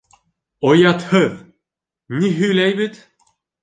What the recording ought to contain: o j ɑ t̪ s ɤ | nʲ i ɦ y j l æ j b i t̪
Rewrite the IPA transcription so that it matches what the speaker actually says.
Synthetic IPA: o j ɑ t̪ h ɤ | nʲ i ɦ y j l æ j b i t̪